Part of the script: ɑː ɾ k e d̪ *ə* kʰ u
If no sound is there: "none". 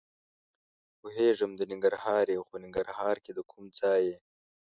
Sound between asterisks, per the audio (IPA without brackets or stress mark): ə